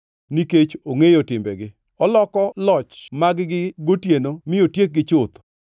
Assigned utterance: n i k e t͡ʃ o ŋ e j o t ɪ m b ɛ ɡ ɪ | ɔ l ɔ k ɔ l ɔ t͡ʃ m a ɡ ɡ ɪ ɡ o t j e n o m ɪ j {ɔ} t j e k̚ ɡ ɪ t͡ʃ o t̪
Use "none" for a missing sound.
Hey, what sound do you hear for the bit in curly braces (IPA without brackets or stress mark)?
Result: o